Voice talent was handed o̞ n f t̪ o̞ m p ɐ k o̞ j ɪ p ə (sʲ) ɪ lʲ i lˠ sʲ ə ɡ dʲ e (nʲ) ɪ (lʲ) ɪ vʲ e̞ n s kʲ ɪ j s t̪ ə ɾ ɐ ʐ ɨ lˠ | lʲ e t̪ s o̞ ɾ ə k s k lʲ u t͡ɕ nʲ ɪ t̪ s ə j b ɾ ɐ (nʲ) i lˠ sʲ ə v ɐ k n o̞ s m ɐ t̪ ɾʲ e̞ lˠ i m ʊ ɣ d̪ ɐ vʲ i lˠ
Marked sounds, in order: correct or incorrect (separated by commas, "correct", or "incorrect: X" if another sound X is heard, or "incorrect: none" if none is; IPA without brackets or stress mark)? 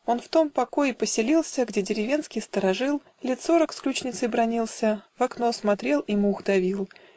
correct, incorrect: dʲ, incorrect: ɾʲ, correct